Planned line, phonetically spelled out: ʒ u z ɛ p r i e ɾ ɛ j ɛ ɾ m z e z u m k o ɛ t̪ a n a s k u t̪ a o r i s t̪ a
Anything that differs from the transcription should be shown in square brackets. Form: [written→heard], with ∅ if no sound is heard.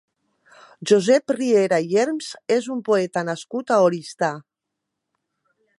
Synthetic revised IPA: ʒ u z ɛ p r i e ɾ [ɛ→a] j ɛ ɾ m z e z u m [k→p] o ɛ t̪ a n a s k u t̪ a o [r→ɾ] i s t̪ a